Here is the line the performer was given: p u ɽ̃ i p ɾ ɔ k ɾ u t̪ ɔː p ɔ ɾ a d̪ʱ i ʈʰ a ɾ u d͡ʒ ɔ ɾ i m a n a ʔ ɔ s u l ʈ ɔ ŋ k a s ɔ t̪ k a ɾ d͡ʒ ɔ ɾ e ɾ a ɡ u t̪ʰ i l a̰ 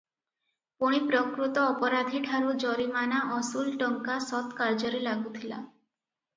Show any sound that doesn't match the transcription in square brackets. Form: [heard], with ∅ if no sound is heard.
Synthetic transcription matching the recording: p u ɽ̃ i p ɾ ɔ k ɾ u t̪ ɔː p ɔ ɾ a d̪ʱ i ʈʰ a ɾ u d͡ʒ ɔ ɾ i m a n a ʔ ɔ s u l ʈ ɔ ŋ k a s ɔ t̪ k a ɾ d͡ʒ ɔ ɾ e [l] a ɡ u t̪ʰ i l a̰